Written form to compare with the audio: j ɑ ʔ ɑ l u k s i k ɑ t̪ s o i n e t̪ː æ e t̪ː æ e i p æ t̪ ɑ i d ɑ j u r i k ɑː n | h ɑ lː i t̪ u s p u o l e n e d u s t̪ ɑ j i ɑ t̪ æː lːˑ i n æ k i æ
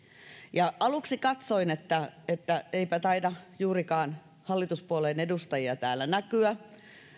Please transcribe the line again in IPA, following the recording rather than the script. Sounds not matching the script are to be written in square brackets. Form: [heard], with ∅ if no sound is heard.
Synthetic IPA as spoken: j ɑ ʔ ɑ l u k s i k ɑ t̪ s o i n e t̪ː æ e t̪ː æ e i p æ t̪ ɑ i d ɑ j [uː] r i k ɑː n | h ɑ lː i t̪ u s p u o l e n e d u s t̪ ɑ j i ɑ t̪ æː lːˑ [æ] n æ k [y] æ